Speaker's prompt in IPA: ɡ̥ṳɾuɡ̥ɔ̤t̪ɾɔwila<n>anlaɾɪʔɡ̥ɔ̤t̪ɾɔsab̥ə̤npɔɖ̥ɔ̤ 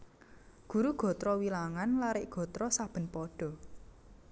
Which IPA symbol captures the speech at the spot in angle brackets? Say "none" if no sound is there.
ŋ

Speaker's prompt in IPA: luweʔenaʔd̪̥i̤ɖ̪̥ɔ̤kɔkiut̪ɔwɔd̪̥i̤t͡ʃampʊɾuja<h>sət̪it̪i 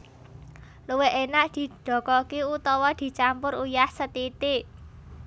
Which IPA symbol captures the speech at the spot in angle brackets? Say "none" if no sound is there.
h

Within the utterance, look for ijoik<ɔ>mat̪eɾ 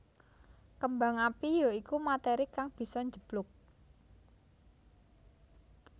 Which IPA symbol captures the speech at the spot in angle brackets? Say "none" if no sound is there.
u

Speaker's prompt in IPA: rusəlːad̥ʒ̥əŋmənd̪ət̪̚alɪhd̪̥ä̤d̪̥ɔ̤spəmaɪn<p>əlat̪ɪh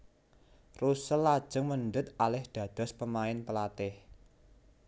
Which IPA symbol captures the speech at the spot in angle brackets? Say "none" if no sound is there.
p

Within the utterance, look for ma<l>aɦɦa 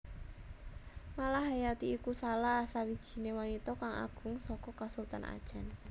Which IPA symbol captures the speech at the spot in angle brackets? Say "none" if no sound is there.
l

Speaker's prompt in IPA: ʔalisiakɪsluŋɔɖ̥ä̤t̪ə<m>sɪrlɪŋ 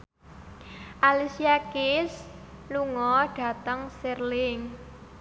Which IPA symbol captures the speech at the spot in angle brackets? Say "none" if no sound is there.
ŋ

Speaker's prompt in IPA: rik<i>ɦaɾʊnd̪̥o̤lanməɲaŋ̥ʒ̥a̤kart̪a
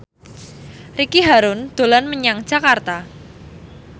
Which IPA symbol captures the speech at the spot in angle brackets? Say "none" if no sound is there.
i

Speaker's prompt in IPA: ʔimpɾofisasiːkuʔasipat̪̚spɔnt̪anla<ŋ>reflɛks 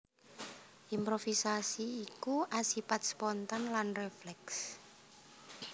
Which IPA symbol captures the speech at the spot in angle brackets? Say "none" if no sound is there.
n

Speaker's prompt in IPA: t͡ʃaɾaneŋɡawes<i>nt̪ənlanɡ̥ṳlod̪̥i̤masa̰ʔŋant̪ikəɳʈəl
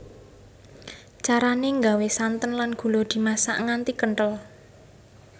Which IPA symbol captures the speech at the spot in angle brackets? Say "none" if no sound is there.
a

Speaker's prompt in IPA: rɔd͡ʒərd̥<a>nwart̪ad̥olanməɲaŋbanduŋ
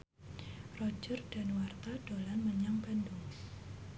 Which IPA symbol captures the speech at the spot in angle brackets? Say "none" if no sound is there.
a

